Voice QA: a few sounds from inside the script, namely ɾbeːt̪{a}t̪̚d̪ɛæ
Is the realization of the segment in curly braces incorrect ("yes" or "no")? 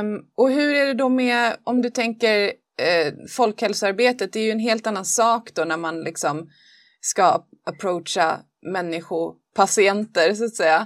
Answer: yes